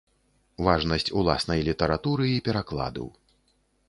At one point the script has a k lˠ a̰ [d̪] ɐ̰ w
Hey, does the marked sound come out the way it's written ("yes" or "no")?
yes